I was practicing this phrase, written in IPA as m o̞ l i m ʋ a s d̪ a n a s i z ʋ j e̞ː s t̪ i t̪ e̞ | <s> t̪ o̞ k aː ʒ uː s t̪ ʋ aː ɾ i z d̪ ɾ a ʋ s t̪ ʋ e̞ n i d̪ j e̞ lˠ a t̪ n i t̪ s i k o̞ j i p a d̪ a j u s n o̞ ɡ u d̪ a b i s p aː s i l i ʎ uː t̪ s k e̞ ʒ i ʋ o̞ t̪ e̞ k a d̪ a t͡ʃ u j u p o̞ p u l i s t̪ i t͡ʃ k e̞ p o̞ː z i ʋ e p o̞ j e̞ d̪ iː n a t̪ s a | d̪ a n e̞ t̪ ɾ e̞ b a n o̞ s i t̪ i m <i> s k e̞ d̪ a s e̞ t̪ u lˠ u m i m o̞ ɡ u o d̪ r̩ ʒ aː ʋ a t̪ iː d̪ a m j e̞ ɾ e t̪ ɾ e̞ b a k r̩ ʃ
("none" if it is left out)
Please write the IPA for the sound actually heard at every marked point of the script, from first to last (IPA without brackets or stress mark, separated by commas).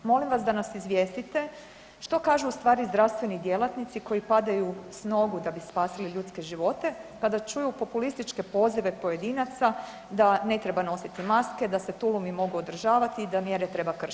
ʃ, a